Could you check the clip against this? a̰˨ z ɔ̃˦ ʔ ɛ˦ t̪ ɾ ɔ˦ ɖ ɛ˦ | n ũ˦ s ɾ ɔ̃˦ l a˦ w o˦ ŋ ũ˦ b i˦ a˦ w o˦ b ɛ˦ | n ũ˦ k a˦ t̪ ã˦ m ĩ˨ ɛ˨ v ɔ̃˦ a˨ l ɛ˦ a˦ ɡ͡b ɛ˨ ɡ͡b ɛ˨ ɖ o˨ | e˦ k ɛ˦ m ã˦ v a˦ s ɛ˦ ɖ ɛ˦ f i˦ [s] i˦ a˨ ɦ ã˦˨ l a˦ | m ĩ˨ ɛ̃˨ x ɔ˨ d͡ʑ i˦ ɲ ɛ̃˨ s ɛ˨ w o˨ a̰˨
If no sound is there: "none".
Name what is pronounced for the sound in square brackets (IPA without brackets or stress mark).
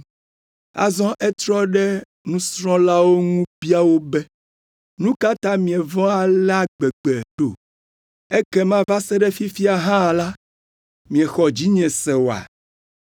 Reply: f